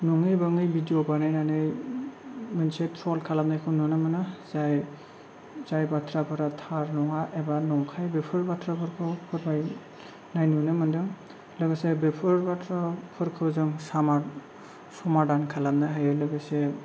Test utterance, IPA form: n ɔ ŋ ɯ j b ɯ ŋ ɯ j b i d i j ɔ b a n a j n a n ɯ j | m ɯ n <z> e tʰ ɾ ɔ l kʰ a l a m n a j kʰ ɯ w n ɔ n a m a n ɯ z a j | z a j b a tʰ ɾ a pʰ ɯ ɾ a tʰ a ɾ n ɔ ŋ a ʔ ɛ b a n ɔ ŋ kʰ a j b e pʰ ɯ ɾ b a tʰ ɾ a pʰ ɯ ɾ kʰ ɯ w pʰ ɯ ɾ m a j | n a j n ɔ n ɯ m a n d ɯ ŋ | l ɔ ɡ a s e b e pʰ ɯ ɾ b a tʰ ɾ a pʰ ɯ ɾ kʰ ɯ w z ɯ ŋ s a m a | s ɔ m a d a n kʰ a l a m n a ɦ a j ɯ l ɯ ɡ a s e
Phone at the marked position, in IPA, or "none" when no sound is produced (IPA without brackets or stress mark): s